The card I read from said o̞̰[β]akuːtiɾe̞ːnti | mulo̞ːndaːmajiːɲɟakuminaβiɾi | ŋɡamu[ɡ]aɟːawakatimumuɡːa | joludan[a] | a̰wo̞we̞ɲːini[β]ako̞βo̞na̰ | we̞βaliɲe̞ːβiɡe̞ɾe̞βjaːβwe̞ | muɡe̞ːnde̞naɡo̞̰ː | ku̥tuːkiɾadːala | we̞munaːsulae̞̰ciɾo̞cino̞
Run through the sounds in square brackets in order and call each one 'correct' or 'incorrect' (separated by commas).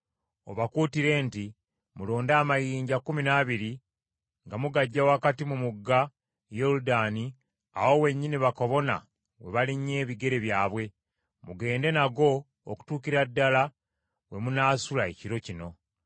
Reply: correct, correct, incorrect, correct